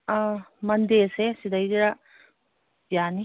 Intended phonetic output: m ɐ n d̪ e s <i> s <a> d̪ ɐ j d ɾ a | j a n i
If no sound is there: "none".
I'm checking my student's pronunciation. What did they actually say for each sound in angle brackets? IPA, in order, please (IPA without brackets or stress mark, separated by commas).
e, i